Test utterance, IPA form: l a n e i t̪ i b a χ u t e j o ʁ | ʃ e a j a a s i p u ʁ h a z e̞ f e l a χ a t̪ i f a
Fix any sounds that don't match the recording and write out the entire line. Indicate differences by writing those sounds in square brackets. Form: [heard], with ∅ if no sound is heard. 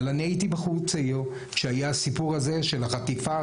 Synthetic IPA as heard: l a n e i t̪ i b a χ u [t͡s] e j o [∅] | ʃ e a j a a s i p u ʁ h a z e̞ [ʃ] e l a χ a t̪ i f a